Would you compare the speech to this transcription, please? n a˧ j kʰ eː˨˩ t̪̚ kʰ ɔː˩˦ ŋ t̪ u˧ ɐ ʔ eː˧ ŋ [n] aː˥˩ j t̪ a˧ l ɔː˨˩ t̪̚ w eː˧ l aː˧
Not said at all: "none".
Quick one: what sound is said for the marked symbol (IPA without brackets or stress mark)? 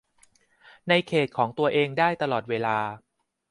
d